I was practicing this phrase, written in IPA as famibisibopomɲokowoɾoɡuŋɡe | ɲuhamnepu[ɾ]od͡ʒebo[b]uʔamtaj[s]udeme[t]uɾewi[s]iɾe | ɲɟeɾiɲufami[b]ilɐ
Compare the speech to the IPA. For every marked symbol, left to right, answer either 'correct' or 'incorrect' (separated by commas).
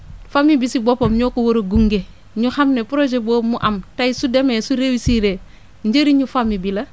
correct, incorrect, correct, incorrect, correct, correct